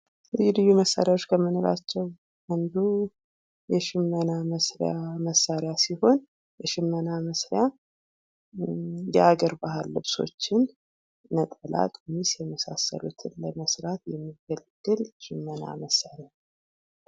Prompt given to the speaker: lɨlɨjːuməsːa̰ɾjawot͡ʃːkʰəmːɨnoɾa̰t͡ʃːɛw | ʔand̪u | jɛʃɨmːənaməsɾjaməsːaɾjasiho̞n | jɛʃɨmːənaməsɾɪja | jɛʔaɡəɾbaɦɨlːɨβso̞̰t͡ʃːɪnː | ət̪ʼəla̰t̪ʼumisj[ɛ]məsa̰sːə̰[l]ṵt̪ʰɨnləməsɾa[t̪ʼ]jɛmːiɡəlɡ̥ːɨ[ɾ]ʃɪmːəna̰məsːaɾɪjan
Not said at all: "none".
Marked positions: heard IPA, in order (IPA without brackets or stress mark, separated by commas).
ɛ, l, t̪, l